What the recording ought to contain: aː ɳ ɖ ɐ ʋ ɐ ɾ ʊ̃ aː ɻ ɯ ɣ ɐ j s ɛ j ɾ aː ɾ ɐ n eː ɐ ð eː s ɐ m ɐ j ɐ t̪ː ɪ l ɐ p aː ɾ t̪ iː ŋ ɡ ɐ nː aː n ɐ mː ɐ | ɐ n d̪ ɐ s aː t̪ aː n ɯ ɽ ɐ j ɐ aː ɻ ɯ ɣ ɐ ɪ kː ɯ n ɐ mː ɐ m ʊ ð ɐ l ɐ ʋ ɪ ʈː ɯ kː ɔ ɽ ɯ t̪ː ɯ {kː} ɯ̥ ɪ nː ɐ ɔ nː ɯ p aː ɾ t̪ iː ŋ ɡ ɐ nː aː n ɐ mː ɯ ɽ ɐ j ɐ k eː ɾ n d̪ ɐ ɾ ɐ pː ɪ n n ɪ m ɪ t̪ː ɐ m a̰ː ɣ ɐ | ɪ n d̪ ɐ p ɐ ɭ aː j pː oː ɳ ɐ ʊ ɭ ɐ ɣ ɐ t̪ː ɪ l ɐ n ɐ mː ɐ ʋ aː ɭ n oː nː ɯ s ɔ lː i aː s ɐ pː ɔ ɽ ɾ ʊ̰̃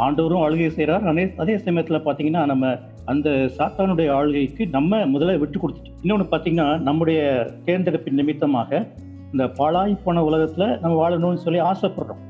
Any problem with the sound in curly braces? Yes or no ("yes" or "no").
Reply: yes